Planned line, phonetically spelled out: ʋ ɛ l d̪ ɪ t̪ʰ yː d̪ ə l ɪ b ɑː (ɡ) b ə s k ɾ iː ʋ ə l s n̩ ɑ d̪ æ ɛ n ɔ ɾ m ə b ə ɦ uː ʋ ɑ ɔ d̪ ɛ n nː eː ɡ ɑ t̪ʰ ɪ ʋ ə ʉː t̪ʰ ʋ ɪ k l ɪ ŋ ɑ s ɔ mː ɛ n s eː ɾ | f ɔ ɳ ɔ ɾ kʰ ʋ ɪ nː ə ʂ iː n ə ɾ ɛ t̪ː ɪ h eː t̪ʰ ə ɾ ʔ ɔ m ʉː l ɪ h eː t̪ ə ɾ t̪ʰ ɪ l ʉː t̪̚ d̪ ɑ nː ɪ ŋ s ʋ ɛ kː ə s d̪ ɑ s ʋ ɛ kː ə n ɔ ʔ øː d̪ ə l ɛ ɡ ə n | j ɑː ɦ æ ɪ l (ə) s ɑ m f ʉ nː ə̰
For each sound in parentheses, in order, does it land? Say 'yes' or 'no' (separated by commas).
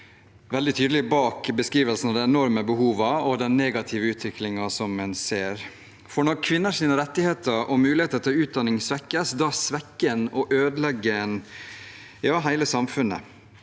no, yes